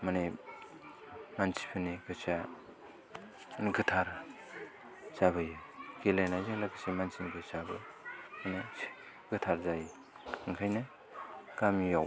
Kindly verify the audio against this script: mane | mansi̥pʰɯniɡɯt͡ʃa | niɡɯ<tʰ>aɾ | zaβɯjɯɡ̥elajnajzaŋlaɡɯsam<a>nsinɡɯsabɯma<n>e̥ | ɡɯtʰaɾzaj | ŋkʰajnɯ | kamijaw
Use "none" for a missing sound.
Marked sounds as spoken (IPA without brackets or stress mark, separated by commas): tʰ, a, n